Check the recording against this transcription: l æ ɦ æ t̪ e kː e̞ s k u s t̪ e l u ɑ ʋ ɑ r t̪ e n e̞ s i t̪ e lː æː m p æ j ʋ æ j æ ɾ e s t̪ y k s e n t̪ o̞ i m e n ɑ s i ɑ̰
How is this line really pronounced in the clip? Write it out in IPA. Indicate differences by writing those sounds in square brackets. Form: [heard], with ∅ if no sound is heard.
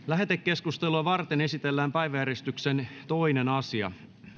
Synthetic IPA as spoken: l æ ɦ [e] t̪ e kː e̞ s k u s t̪ e l u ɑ ʋ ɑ r t̪ e n e̞ s i t̪ e lː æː m p æ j ʋ æ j æ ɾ e s t̪ y k s e n t̪ o̞ i [n] e n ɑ s i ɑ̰